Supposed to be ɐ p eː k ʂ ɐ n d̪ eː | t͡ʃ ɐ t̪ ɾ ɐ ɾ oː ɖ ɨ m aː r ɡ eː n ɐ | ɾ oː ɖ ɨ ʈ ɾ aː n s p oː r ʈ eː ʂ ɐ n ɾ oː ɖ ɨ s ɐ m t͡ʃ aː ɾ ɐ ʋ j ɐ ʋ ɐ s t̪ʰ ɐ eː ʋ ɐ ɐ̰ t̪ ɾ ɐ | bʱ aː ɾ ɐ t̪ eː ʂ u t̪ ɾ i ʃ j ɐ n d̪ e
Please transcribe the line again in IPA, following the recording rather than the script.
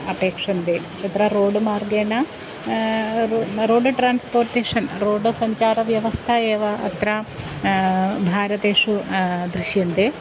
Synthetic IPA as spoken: ɐ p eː k ʂ ɐ n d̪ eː | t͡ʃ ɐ t̪ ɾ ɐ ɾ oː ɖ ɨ m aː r ɡ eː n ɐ | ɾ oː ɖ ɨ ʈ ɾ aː n s p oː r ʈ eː ʂ ɐ n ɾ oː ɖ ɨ s ɐ ɲ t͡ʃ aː ɾ ɐ ʋ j ɐ ʋ ɐ s t̪ʰ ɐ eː ʋ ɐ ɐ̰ t̪ ɾ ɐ | bʱ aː ɾ ɐ t̪ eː ʂ u d̪ ɾ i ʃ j ɐ n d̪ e